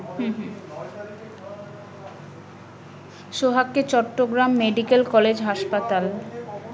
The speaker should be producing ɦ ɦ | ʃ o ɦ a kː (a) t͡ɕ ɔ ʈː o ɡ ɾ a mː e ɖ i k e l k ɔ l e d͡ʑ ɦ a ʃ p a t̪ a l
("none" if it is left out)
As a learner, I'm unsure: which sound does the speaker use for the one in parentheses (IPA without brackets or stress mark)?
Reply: e